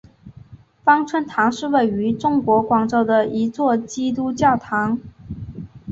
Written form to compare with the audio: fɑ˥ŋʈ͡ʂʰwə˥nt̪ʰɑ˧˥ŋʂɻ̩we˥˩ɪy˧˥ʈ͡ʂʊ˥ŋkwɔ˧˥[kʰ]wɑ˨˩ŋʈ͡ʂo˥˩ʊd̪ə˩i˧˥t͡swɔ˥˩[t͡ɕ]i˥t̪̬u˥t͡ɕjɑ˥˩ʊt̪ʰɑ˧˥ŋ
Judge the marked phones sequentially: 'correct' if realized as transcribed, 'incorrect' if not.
incorrect, correct

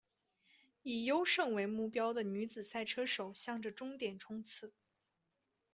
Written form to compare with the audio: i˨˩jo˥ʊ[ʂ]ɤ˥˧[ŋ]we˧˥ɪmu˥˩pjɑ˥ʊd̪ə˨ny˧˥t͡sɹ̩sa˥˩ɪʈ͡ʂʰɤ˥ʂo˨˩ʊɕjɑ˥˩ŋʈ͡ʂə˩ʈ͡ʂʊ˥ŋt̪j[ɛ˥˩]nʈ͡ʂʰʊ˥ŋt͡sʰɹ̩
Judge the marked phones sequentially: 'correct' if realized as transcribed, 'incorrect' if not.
correct, correct, incorrect

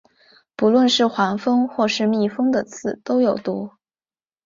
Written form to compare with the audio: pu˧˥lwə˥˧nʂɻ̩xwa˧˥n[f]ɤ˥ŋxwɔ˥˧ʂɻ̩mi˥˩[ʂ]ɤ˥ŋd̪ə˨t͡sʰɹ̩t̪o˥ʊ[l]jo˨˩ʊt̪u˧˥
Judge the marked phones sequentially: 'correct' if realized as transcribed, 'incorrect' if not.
correct, incorrect, incorrect

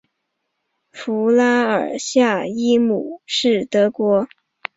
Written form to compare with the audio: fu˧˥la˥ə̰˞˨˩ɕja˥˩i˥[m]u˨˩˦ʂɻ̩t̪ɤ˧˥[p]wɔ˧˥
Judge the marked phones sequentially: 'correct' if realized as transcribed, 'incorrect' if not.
correct, incorrect

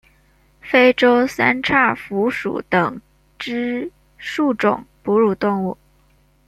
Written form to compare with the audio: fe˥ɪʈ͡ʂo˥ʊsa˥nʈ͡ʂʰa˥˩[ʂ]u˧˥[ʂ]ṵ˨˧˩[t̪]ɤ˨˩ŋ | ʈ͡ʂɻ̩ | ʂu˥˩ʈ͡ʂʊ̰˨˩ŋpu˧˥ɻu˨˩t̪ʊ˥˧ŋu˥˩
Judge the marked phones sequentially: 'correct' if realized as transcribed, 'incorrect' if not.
incorrect, correct, correct

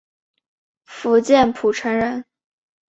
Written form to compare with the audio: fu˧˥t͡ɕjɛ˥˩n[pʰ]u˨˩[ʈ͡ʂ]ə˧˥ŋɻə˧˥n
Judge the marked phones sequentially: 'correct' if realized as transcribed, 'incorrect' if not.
correct, incorrect

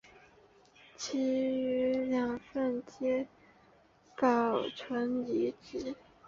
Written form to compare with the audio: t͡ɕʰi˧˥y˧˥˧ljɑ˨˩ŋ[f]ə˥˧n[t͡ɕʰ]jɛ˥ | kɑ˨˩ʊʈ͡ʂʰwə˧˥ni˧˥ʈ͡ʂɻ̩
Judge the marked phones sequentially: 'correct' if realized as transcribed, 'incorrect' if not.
correct, incorrect

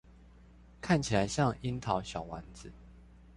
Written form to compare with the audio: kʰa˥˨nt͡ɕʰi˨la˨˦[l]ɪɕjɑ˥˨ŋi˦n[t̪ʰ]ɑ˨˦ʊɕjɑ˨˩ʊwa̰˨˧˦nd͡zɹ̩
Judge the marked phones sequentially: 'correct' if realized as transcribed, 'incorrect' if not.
incorrect, correct

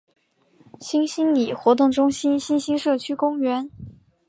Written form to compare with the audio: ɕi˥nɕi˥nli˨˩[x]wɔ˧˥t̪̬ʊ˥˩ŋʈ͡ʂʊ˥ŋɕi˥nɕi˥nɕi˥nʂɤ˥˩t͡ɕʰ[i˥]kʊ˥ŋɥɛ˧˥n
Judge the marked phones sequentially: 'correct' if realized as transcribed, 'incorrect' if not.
correct, incorrect

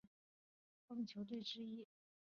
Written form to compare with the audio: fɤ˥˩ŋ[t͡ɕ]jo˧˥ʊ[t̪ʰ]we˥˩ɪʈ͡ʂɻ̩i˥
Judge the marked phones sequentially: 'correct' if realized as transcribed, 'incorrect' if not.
incorrect, incorrect

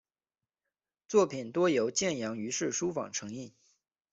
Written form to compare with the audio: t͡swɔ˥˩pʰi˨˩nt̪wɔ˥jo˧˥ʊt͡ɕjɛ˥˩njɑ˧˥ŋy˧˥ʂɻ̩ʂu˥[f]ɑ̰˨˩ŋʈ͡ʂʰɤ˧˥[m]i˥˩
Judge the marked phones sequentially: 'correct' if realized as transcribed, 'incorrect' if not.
correct, incorrect

